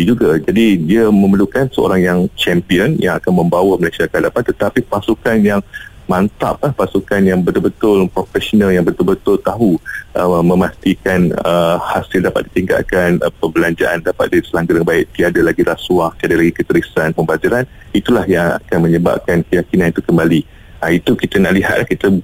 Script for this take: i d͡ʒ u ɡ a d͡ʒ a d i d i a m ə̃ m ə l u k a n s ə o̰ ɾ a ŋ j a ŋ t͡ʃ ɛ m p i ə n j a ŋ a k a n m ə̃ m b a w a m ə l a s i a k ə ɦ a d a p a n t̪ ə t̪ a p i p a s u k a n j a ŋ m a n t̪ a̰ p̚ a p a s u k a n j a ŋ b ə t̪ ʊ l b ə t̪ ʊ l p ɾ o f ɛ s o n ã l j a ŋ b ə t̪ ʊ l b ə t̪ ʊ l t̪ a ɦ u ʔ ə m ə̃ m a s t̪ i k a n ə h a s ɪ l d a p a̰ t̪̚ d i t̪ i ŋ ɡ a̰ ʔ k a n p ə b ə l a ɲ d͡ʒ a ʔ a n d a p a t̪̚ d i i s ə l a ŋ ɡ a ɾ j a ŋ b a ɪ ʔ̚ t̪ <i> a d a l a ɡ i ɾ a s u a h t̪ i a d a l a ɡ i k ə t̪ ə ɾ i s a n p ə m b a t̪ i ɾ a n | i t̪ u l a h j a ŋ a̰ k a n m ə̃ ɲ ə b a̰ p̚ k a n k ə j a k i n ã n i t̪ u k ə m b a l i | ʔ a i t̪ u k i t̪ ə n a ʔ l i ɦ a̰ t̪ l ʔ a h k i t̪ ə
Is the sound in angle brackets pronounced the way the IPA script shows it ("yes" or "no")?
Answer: yes